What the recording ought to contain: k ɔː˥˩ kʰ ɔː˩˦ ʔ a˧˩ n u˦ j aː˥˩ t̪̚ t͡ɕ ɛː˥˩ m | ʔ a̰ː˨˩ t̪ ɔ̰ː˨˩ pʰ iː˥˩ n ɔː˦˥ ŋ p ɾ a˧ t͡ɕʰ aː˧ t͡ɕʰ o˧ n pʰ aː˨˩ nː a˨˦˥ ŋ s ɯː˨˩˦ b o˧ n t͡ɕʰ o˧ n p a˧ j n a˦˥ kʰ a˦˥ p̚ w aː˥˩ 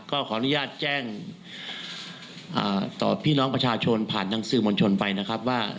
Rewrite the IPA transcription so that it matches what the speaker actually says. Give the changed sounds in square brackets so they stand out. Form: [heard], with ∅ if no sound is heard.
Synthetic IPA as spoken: k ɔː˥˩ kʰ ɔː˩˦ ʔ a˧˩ n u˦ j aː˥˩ t̪̚ t͡ɕ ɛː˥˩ [ŋ] | ʔ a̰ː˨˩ t̪ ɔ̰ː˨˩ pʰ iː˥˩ n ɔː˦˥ ŋ p ɾ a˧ t͡ɕʰ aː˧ t͡ɕʰ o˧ n pʰ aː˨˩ nː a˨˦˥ ŋ s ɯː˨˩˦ [m] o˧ n t͡ɕʰ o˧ n p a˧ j n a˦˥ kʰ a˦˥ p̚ w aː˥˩